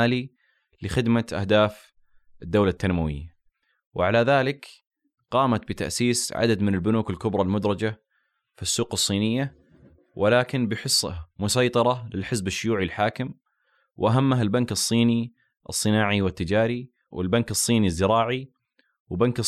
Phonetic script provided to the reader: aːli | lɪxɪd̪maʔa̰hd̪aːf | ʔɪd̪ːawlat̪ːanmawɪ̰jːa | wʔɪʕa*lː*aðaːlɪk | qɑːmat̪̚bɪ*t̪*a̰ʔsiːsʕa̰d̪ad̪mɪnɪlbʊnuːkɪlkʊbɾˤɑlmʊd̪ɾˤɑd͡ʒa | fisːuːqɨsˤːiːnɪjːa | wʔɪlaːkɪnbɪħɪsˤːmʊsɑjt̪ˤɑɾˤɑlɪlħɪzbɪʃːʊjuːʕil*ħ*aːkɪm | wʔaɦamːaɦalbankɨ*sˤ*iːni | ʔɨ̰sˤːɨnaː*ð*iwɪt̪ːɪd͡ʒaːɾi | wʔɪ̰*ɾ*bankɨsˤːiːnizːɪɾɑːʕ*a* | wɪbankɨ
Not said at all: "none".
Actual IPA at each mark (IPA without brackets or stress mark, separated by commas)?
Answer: l, t̪, ħ, sˤː, ʕ, l, i